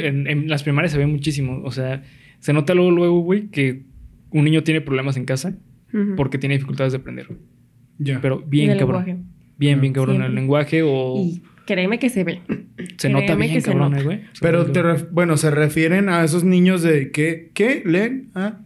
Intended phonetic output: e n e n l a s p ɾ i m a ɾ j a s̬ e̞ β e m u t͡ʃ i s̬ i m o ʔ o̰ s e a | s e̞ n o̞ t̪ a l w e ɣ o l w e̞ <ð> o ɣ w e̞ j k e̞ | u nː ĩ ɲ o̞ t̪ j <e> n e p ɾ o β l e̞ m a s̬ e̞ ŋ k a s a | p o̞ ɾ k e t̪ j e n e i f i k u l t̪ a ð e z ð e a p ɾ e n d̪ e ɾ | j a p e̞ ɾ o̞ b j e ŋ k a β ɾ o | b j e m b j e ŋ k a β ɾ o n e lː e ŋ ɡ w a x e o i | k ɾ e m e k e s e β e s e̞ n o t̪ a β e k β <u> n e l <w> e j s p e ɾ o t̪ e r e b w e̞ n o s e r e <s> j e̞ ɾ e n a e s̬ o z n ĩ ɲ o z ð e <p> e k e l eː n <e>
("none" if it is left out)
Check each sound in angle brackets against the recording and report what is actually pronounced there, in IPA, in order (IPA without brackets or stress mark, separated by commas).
ɣ, e, o, w, f, k, a